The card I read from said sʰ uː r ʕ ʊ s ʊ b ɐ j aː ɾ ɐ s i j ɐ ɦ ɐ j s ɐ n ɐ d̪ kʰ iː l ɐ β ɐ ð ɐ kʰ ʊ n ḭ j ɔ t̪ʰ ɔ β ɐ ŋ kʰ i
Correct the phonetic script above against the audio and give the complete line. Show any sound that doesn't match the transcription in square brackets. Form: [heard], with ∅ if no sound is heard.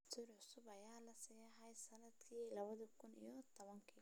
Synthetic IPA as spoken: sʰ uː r ʕ ʊ s ʊ b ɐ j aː [l] ɐ s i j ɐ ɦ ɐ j s ɐ n ɐ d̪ kʰ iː l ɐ β ɐ ð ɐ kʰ ʊ n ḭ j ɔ t̪ʰ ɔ β ɐ ŋ kʰ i